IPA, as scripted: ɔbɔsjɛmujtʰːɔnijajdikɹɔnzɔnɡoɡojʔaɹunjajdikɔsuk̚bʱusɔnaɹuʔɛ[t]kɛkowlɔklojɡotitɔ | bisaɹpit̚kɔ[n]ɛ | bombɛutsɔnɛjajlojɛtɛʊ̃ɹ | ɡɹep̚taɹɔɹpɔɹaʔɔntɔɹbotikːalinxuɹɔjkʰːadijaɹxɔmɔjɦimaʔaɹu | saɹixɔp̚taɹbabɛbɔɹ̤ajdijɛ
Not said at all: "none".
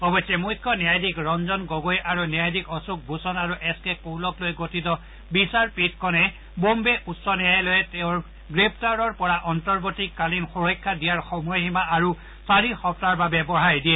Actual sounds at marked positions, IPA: s, n

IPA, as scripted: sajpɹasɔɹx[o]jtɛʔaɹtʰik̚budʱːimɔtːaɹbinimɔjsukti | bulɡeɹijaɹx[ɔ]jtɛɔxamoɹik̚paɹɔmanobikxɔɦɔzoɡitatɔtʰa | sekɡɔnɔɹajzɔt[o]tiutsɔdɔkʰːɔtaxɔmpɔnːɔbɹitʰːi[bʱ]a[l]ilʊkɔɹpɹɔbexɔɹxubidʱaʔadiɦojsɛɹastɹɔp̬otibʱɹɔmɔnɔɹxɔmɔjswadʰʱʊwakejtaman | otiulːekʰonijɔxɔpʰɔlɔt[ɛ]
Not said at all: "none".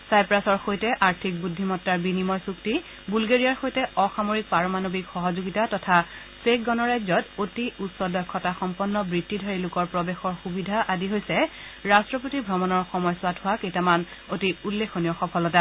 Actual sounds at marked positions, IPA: o, o, o, dʱ, ɹ, a

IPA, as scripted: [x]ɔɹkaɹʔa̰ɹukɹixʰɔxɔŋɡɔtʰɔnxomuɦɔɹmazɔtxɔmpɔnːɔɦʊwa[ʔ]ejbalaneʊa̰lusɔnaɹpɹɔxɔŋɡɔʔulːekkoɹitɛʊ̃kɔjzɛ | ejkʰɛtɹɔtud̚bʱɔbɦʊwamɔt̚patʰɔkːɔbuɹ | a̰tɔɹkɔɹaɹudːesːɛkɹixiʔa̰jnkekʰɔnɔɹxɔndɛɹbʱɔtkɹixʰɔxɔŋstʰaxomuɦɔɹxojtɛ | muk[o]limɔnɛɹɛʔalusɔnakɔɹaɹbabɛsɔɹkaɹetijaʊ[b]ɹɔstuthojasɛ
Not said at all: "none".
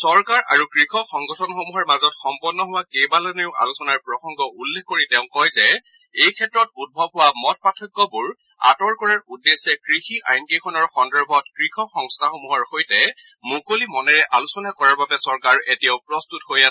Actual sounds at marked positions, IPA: s, k, o, p

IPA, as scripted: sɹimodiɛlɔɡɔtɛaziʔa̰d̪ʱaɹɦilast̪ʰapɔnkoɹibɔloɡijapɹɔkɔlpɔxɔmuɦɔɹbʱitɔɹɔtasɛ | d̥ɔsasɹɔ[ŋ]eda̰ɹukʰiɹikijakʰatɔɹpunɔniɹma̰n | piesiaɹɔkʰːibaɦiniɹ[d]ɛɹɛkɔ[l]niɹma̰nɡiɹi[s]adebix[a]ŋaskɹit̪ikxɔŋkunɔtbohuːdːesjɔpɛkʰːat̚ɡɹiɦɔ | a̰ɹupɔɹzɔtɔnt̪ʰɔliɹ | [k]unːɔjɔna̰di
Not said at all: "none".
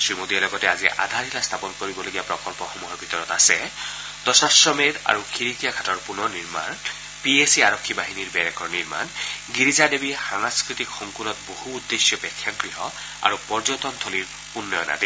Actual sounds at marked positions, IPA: m, b, ɹ, z, a, p

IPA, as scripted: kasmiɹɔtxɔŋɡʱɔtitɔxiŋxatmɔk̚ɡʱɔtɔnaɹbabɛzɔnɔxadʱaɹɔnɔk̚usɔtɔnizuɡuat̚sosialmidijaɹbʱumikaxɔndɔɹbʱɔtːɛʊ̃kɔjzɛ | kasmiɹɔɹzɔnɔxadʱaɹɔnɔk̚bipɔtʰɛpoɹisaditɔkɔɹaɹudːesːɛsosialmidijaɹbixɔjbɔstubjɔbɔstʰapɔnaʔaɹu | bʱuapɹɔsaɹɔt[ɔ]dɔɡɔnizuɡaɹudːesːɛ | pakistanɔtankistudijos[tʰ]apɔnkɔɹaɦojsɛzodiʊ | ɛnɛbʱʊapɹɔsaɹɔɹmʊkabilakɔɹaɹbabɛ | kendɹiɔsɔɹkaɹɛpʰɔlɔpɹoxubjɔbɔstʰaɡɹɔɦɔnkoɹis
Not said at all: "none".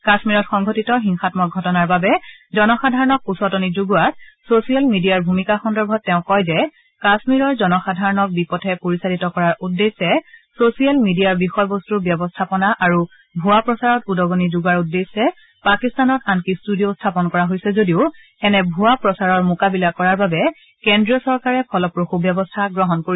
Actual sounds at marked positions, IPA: u, tʰ

